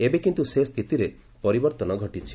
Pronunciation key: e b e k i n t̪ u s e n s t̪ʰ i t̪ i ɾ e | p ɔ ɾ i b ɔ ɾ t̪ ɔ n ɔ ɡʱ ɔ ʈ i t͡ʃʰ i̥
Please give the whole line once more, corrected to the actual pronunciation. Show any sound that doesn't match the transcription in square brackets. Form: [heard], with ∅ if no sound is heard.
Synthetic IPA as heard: e b e k i n t̪ u s e [∅] s t̪ʰ i t̪ i ɾ e | p ɔ ɾ i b ɔ ɾ t̪ ɔ n ɔ ɡʱ ɔ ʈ i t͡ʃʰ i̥

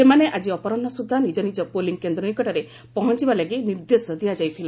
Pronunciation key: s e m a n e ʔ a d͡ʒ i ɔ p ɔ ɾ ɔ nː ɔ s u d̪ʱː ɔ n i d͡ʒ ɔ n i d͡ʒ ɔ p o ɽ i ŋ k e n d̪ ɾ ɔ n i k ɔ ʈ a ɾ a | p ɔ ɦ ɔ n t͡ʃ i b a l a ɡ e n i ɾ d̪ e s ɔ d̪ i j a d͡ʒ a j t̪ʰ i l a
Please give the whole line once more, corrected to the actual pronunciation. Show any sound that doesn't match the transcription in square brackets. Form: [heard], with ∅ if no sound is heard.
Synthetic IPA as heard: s e m a n e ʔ a d͡ʒ i ɔ p ɔ ɾ ɔ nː ɔ s u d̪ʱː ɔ n i d͡ʒ ɔ n i d͡ʒ ɔ p o [l] i ŋ k e n d̪ ɾ ɔ n i k ɔ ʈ a ɾ [e] | p ɔ ɦ ɔ n t͡ʃ i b a l a ɡ [i] n i ɾ d̪ e s ɔ d̪ i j a d͡ʒ a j t̪ʰ i l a

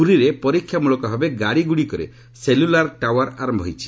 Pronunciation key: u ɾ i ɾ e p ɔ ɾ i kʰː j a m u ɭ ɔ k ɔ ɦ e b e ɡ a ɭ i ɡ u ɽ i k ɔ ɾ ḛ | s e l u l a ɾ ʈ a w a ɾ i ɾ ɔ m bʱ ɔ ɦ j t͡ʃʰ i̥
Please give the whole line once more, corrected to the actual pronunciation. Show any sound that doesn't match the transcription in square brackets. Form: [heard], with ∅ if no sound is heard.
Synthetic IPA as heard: u ɾ i ɾ e p ɔ ɾ i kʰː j a m u ɭ ɔ k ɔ ɦ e b e ɡ a [ɽ] i ɡ u ɽ i k ɔ ɾ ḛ | s e l u l a ɾ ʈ a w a ɾ [a] ɾ ɔ m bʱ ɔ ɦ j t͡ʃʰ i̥

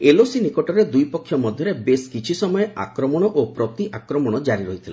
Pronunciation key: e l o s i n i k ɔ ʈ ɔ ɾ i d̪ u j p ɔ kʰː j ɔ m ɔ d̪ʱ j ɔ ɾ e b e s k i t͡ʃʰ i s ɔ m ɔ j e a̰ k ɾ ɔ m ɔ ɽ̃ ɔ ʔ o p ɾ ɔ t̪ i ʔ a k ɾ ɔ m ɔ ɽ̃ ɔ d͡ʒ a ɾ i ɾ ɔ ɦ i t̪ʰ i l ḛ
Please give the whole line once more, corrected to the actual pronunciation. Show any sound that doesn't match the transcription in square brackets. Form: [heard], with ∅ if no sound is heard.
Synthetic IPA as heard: e l o s i n i k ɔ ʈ ɔ ɾ [e] d̪ u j p ɔ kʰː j ɔ m ɔ d̪ʱ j ɔ ɾ e b e s k i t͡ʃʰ i s ɔ m ɔ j e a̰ k ɾ ɔ m ɔ ɽ̃ ɔ ʔ o p ɾ ɔ t̪ i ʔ a k ɾ ɔ m ɔ ɽ̃ ɔ d͡ʒ a ɾ i ɾ ɔ ɦ i t̪ʰ i l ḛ

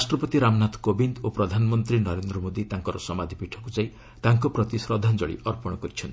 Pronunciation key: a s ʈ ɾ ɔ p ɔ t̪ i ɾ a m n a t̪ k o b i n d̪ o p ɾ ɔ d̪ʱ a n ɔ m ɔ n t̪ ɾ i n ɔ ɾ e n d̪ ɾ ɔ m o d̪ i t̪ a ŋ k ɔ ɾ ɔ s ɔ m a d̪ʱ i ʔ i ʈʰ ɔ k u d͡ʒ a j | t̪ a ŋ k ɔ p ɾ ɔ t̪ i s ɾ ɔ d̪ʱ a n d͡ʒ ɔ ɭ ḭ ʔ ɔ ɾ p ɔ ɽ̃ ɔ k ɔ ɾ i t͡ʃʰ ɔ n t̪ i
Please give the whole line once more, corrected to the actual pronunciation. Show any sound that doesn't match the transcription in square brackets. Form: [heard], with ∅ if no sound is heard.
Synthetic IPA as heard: a s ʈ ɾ ɔ p ɔ t̪ i ɾ a m n a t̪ k o b i n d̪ o p ɾ ɔ d̪ʱ a n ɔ m ɔ n t̪ ɾ i n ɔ ɾ e n d̪ ɾ ɔ m o d̪ i t̪ a ŋ k ɔ ɾ ɔ s ɔ m a d̪ʱ i [p] i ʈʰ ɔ k u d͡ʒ a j | t̪ a ŋ k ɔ p ɾ ɔ t̪ i s ɾ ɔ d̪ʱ a n d͡ʒ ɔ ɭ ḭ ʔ ɔ ɾ p ɔ ɽ̃ ɔ k ɔ ɾ i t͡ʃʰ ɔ n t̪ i

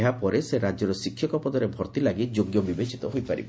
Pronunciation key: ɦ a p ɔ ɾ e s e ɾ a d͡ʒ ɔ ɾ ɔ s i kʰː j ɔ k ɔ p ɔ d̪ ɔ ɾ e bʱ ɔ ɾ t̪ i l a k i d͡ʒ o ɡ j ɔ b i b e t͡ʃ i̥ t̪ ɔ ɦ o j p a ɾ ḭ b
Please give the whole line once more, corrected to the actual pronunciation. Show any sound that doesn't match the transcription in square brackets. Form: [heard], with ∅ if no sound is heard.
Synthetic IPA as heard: ɦ a p ɔ ɾ e s e ɾ a d͡ʒ ɔ ɾ ɔ s i kʰː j ɔ k ɔ p ɔ d̪ ɔ ɾ e bʱ ɔ ɾ t̪ i l a [ɡ] i d͡ʒ o ɡ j ɔ b i b e t͡ʃ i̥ t̪ ɔ ɦ o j p a ɾ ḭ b

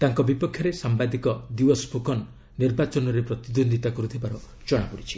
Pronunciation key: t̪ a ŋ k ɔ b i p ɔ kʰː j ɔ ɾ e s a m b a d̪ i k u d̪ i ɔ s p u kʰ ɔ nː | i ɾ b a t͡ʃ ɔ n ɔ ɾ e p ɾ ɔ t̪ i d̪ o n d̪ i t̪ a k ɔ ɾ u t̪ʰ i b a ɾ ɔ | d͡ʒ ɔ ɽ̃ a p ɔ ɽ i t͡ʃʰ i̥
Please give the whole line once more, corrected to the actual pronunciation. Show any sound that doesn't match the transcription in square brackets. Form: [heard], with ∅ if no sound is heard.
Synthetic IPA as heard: t̪ a ŋ k ɔ b i p ɔ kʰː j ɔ ɾ e s a m b a d̪ i k [ɔ] d̪ i ɔ s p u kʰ ɔ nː | i ɾ b a t͡ʃ ɔ n ɔ ɾ e p ɾ ɔ t̪ i d̪ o n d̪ i t̪ a k ɔ ɾ u t̪ʰ i b a ɾ ɔ | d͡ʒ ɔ ɽ̃ a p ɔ ɽ i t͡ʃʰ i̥

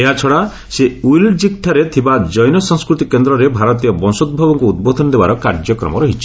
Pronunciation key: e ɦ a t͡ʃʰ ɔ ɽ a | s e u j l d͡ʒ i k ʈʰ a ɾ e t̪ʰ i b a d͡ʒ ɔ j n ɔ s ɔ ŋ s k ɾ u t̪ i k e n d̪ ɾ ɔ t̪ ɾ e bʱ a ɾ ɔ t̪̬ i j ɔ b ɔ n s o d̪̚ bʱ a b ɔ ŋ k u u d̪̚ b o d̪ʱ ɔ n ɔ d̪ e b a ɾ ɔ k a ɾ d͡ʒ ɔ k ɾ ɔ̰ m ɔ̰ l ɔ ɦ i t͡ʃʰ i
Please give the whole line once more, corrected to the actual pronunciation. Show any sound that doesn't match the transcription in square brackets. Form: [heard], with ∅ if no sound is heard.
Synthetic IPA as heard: e ɦ a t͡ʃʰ ɔ ɽ a | s e u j l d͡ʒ i k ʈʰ a ɾ e t̪ʰ i b a d͡ʒ ɔ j n ɔ s ɔ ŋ s k ɾ u t̪ i k e n d̪ ɾ ɔ [∅] ɾ e bʱ a ɾ ɔ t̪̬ i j ɔ b ɔ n s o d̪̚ bʱ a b ɔ ŋ k u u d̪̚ b o d̪ʱ ɔ n ɔ d̪ e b a ɾ ɔ k a ɾ d͡ʒ ɔ k ɾ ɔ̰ m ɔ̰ [ɾ] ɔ ɦ i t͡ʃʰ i

